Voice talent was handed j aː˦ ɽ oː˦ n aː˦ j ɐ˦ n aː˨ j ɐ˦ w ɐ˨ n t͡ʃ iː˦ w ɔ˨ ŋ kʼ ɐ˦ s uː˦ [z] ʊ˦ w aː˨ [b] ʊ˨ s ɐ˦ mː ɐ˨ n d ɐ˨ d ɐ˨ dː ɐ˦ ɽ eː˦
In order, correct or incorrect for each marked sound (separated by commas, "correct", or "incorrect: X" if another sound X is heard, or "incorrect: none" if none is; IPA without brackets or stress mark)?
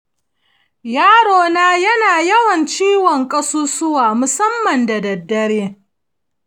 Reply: incorrect: s, incorrect: m